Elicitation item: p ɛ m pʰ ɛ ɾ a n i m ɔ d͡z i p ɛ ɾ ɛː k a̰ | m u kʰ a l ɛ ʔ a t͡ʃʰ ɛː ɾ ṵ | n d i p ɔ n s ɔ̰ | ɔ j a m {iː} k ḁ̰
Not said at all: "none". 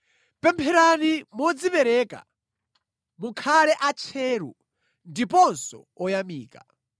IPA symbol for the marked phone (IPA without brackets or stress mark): iː